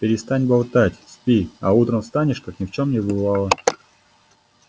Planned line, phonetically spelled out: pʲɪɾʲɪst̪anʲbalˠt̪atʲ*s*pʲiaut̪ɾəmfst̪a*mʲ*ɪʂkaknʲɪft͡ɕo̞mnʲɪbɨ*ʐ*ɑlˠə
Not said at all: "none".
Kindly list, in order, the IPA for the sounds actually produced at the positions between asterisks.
s, nʲ, v

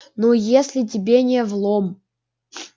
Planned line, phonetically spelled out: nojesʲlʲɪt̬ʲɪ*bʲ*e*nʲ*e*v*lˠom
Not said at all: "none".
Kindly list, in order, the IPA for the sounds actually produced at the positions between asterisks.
bʲ, nʲ, v

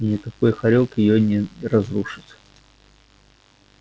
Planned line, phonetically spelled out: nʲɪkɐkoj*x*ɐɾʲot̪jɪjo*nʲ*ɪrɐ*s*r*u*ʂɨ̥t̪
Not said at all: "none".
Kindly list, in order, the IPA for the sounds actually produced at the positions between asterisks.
x, nʲ, z, u

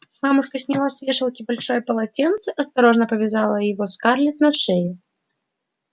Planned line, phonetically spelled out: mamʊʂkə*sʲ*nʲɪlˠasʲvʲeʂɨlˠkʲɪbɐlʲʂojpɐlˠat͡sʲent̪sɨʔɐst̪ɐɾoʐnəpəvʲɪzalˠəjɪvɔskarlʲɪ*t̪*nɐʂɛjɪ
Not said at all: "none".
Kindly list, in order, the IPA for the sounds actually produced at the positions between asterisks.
sʲ, t̪

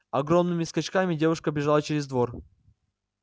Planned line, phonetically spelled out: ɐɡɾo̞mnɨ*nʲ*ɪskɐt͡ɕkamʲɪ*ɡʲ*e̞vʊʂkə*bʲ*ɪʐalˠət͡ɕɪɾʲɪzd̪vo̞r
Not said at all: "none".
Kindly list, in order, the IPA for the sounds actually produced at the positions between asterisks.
mʲ, dʲ, bʲ

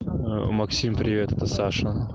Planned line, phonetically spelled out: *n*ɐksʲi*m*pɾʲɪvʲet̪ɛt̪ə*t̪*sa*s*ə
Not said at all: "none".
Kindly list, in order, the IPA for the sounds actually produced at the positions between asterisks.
m, m, none, ʂ

